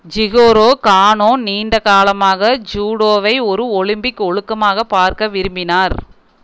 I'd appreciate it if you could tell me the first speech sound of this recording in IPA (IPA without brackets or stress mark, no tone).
d͡ʒ